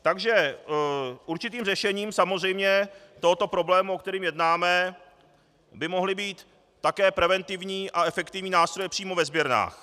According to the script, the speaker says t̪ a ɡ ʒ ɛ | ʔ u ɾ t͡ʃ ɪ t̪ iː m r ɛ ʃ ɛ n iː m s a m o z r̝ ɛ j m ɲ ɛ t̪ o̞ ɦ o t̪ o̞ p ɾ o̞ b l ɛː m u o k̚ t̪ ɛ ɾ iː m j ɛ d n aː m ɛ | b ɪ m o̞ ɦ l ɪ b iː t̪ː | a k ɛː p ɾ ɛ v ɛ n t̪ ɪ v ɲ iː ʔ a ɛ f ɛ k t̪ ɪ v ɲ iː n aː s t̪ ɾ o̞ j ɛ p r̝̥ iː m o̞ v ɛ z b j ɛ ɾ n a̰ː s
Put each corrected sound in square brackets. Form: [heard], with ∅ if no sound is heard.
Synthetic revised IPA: t̪ a ɡ ʒ ɛ | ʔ u ɾ t͡ʃ ɪ t̪ iː m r ɛ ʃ ɛ [ɲ] iː m s a m o z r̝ ɛ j m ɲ ɛ t̪ o̞ ɦ o t̪ o̞ p ɾ o̞ b l ɛː m u o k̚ t̪ ɛ ɾ iː m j ɛ d n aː m ɛ | b ɪ m o̞ ɦ l ɪ b iː t̪ː | a k ɛː p ɾ ɛ v ɛ n t̪ ɪ v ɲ iː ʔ a ɛ f ɛ k t̪ ɪ v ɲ iː n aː s t̪ ɾ o̞ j ɛ p r̝̥ iː m o̞ v ɛ z b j ɛ ɾ n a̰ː [x]

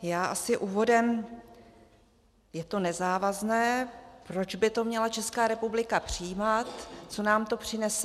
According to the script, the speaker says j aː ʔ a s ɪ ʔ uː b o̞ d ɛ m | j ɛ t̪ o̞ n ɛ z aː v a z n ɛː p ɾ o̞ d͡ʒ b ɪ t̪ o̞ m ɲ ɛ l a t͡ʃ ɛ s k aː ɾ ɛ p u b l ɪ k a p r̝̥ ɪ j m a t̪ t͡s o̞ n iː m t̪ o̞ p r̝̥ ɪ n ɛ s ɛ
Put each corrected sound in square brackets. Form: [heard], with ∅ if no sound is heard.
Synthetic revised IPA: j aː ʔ a s ɪ ʔ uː [v] o̞ d ɛ m | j ɛ t̪ o̞ n ɛ z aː v a z n ɛː p ɾ o̞ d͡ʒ b ɪ t̪ o̞ m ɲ ɛ l a t͡ʃ ɛ s k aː ɾ ɛ p u b l ɪ k a p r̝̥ ɪ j m a t̪ t͡s o̞ n [aː] m t̪ o̞ p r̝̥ ɪ n ɛ s ɛ

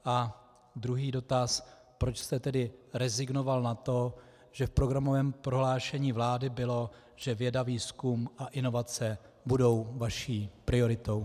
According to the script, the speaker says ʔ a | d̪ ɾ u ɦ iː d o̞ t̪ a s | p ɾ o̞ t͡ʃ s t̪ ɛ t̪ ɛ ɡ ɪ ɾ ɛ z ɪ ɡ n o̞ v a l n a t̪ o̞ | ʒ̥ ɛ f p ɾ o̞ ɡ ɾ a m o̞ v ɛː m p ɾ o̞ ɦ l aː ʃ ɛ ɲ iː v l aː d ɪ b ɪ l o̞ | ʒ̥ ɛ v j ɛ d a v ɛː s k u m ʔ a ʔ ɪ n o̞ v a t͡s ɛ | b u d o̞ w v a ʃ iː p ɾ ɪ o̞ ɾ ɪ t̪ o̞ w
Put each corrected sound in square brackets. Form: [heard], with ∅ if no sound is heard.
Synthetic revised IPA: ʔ a | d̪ ɾ u ɦ iː d o̞ t̪ a s | p ɾ o̞ t͡ʃ s t̪ ɛ t̪ ɛ [d] ɪ ɾ ɛ z ɪ ɡ n o̞ v a l n a t̪ o̞ | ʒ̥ ɛ f p ɾ o̞ ɡ ɾ a m o̞ v ɛː m p ɾ o̞ ɦ l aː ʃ ɛ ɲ iː v l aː d ɪ b ɪ l o̞ | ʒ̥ ɛ v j ɛ d a v [iː] s k u m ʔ a ʔ ɪ n o̞ v a t͡s ɛ | b u d o̞ w v a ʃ iː p ɾ ɪ o̞ ɾ ɪ t̪ o̞ w

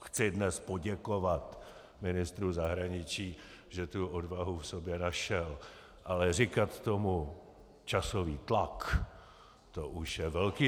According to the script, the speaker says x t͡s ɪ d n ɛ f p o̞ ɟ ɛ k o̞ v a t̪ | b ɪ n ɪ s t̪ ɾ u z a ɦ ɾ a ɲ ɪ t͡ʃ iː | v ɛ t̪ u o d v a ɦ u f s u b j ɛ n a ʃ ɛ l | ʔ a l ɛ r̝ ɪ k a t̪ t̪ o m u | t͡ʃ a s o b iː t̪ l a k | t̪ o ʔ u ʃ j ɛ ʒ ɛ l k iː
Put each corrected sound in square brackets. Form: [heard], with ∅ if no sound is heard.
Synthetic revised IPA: x t͡s ɪ d n ɛ [s] p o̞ ɟ ɛ k o̞ v a t̪ | [m] ɪ n ɪ s t̪ ɾ u z a ɦ ɾ a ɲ ɪ t͡ʃ iː | [ʒ] ɛ t̪ u o d v a ɦ u f s [o] b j ɛ n a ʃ ɛ l | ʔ a l ɛ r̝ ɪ k a t̪ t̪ o m u | t͡ʃ a s o [v] iː t̪ l a k | t̪ o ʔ u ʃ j ɛ [v] ɛ l k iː

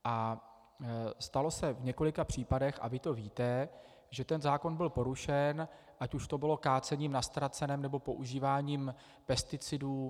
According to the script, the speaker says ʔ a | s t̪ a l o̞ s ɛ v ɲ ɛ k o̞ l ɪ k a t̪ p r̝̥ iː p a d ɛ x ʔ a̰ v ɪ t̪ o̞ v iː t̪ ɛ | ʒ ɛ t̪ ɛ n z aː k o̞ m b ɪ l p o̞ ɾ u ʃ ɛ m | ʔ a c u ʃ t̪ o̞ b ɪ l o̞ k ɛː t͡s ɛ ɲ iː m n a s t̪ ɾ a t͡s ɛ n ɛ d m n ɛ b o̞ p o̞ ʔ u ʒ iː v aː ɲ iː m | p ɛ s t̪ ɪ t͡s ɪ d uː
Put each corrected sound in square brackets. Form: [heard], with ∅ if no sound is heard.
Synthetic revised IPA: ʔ a | s t̪ a l o̞ s ɛ v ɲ ɛ k o̞ l ɪ k a [∅] p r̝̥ iː p a d ɛ x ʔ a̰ v ɪ t̪ o̞ v iː t̪ ɛ | ʒ ɛ t̪ ɛ n z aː k o̞ [n] b ɪ l p o̞ ɾ u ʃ ɛ [n] | ʔ a c u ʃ t̪ o̞ b ɪ l o̞ k [aː] t͡s ɛ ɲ iː m n a s t̪ ɾ a t͡s ɛ n ɛ [∅] m n ɛ b o̞ p o̞ ʔ u ʒ iː v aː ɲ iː m | p ɛ s t̪ ɪ t͡s ɪ d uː

